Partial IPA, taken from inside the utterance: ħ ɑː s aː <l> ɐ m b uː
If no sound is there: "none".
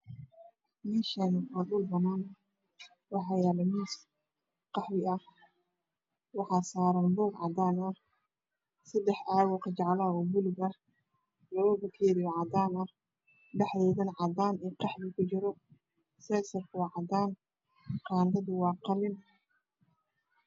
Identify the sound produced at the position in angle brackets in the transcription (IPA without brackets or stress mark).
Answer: ɾ